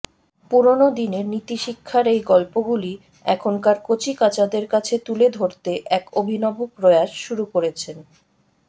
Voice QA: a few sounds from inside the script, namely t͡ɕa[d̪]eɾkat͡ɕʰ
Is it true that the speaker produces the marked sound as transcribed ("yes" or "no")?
yes